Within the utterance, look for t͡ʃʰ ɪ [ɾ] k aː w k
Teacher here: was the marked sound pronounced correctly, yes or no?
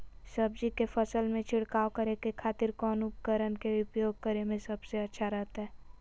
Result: no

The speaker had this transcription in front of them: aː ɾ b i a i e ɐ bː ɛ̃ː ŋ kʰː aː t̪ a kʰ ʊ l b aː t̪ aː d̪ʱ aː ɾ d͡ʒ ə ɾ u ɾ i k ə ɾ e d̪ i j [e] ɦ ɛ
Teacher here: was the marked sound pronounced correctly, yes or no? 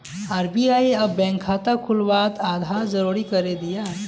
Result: no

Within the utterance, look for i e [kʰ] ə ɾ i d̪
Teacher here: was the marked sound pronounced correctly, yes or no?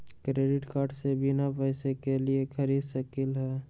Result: yes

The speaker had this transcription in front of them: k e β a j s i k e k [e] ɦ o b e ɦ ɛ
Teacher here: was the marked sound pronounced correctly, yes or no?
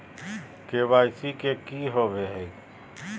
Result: no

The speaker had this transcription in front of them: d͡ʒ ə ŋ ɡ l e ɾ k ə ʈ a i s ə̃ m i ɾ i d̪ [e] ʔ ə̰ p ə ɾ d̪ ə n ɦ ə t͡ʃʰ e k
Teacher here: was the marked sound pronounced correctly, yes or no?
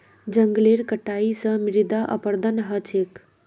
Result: no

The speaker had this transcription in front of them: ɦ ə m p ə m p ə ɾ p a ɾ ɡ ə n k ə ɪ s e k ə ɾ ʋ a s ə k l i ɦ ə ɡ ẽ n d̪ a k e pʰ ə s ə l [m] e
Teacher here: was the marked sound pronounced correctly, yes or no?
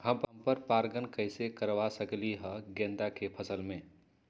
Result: yes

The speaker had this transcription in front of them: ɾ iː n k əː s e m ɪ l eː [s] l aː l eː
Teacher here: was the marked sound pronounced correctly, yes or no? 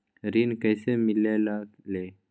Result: no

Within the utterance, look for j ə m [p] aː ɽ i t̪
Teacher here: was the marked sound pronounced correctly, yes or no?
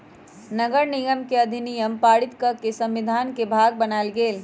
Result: yes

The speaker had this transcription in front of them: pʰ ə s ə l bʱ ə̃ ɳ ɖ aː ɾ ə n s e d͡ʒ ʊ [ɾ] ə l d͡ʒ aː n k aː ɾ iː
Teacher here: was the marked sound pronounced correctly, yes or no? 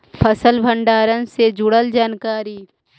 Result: no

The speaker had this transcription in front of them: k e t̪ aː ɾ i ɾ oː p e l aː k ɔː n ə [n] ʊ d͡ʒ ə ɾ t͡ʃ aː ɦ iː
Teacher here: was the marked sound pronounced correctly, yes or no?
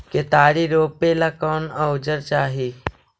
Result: no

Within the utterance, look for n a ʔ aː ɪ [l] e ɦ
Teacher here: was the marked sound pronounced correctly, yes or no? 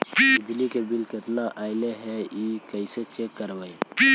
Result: yes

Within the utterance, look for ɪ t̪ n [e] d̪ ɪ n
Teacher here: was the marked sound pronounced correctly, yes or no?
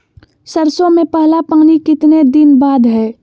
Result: yes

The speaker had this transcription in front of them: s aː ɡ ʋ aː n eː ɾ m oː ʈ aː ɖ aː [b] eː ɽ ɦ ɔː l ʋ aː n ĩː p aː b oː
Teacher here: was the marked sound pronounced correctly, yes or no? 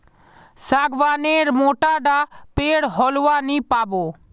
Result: no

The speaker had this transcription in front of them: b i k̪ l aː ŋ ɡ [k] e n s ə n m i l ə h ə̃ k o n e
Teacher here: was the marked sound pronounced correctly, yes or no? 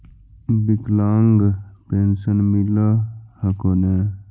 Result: no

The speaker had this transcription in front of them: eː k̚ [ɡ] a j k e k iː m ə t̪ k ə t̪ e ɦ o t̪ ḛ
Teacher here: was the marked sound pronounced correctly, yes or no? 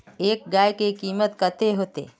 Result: yes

